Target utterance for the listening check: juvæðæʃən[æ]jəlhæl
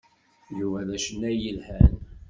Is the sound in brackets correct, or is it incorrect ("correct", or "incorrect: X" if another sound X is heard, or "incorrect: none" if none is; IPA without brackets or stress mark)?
correct